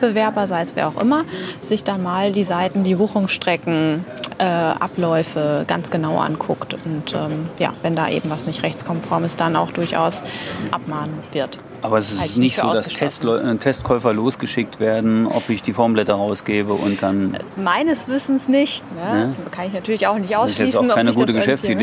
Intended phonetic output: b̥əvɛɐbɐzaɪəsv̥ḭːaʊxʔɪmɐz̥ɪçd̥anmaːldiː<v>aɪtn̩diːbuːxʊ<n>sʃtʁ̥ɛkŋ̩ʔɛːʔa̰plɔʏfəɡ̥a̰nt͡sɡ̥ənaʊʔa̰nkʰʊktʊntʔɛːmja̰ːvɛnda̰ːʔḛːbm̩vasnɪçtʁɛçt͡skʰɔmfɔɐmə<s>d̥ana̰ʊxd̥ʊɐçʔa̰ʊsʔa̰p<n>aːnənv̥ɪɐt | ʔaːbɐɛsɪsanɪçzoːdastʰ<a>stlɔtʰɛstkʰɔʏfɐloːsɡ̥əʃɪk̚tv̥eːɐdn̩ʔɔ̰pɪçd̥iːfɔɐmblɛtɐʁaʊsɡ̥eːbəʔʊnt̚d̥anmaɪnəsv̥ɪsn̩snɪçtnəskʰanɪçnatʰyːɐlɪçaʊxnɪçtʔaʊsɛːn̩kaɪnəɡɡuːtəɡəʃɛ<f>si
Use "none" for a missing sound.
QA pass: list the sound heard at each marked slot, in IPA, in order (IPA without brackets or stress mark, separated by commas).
z, ŋ, s, m, ɛ, f